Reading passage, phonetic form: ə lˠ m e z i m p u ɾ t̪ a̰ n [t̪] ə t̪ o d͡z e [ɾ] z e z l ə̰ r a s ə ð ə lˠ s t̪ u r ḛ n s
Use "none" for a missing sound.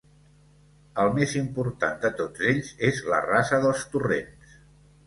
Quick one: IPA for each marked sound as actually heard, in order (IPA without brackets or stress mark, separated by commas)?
d̪, ʎ